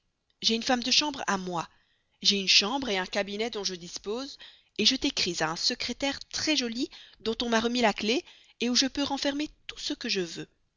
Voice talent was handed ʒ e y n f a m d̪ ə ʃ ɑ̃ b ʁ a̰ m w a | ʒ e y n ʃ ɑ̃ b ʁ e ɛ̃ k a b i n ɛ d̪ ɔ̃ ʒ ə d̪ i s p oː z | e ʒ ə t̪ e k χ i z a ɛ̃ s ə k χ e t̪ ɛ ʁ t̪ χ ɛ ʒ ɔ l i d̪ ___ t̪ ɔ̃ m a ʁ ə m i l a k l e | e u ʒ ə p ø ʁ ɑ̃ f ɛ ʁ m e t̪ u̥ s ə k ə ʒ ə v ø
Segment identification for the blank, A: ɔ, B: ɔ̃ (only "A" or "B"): B